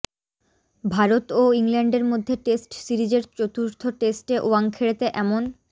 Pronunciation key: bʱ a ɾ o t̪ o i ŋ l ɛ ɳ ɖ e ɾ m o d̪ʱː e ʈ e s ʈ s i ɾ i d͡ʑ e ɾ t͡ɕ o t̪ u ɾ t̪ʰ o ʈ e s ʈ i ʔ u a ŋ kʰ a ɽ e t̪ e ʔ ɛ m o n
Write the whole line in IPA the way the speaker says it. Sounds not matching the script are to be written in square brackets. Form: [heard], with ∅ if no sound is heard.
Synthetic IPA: bʱ a ɾ o t̪ o i ŋ l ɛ ɳ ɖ e ɾ m o d̪ʱː e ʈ e s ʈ s i ɾ i d͡ʑ e ɾ t͡ɕ o t̪ u ɾ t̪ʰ o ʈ e s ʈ [e] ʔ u a ŋ kʰ [e] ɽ e t̪ e ʔ ɛ m o n